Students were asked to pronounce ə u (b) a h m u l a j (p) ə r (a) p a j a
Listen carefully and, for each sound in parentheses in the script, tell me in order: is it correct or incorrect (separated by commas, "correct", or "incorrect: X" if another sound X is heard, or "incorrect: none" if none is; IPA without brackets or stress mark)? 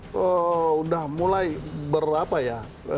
incorrect: d, incorrect: b, correct